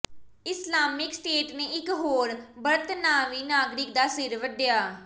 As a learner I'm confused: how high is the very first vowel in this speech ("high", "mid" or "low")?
high